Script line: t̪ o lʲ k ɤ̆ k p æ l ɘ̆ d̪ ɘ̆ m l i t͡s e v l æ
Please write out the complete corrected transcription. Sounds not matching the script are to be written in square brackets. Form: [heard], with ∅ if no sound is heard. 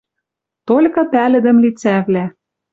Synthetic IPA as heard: t̪ o lʲ k ɤ̆ [∅] p æ l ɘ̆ d̪ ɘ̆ m l i t͡s [æ] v l æ